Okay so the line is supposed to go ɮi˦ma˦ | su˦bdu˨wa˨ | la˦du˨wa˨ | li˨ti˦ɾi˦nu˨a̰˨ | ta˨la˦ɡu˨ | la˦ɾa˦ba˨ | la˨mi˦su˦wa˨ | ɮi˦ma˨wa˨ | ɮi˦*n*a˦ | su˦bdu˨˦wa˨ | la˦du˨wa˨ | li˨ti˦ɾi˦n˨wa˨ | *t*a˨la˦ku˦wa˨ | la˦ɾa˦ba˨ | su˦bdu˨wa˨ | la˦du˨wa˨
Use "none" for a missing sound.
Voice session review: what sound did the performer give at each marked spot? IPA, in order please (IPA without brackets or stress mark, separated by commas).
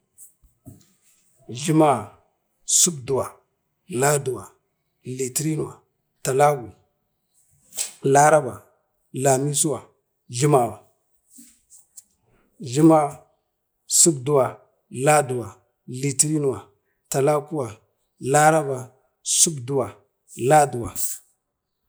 m, t